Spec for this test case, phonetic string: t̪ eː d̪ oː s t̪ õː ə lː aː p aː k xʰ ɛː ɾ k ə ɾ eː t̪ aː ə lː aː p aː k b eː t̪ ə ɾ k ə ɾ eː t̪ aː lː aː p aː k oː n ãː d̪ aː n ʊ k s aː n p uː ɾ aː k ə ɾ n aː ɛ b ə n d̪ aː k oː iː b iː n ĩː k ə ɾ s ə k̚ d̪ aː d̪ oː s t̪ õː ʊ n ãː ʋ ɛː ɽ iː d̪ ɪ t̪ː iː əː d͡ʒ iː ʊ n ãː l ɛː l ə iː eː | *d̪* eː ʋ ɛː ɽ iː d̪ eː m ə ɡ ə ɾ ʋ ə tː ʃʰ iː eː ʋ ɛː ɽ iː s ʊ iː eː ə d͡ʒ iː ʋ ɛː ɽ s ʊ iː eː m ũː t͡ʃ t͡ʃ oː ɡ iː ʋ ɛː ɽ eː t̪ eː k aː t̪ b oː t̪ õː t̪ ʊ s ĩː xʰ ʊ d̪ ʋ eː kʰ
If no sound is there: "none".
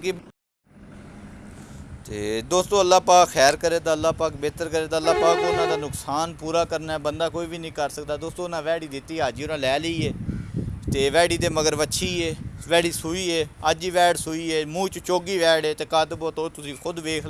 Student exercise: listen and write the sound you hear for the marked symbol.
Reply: t̪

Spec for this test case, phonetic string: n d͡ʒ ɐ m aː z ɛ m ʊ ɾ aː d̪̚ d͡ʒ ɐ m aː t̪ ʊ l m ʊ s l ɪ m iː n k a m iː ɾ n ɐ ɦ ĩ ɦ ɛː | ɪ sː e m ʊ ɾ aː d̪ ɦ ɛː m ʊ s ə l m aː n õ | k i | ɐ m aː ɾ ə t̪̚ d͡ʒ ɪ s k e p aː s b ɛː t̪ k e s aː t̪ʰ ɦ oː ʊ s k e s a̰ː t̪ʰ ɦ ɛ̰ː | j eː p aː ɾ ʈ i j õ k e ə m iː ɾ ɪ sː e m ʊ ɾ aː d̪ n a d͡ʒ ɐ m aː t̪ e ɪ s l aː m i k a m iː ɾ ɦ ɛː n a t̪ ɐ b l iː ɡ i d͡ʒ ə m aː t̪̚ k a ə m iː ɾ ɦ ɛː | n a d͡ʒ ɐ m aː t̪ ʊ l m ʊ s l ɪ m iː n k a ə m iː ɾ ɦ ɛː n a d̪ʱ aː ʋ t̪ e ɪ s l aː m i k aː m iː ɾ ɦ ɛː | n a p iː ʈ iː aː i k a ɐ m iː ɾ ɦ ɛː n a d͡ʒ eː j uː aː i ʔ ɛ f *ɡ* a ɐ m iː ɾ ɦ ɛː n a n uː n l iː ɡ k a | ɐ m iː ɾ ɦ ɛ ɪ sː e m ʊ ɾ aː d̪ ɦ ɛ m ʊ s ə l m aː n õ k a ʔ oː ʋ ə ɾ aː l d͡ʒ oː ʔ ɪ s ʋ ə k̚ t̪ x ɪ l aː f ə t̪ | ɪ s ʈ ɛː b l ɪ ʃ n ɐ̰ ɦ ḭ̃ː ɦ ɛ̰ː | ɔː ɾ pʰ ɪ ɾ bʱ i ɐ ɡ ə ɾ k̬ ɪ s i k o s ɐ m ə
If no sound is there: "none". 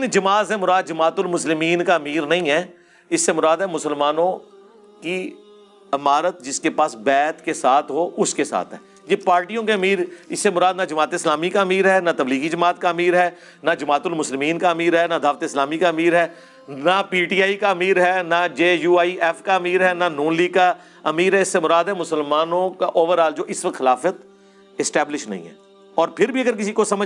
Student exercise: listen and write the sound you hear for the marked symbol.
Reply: k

